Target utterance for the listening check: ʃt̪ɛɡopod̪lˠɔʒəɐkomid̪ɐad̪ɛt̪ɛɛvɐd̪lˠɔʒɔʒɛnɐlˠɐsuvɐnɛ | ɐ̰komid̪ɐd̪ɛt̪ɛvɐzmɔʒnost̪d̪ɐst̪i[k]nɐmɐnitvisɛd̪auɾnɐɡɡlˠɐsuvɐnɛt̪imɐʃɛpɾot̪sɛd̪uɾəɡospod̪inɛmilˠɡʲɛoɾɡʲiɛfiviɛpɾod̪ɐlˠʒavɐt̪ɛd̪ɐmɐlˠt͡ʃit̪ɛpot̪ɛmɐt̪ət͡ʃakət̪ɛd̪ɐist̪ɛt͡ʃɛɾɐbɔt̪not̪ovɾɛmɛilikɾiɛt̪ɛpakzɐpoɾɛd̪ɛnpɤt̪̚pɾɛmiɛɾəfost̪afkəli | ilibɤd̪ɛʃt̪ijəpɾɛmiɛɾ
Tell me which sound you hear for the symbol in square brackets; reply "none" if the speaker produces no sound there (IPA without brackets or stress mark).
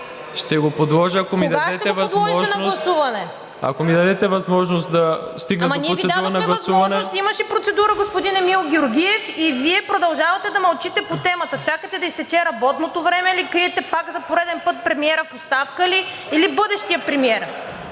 ɡ